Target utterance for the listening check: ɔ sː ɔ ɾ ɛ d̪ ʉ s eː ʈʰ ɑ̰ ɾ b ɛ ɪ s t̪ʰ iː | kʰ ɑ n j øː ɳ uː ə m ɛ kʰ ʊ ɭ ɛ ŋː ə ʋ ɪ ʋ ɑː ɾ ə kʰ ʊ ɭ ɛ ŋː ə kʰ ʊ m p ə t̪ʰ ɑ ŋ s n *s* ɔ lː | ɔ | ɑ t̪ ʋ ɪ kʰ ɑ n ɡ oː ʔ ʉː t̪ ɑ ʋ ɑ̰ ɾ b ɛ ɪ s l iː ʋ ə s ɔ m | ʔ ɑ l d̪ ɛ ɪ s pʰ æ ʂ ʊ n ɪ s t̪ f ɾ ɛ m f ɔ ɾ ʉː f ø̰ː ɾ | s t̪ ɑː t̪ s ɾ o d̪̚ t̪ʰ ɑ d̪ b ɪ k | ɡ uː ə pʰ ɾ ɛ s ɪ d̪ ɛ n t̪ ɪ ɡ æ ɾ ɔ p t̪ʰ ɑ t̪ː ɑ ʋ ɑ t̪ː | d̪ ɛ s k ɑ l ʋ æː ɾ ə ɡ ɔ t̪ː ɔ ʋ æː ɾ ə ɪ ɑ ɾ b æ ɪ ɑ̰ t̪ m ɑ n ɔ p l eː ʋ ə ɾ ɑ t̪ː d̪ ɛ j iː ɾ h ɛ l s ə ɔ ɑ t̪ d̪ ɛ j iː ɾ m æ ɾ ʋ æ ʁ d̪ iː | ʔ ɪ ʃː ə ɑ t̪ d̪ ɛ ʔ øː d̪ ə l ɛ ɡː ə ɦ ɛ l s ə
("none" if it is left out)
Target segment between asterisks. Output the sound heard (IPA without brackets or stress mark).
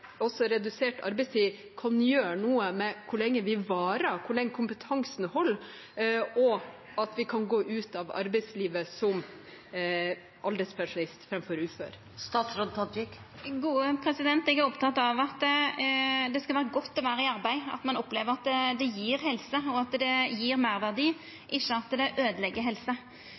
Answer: h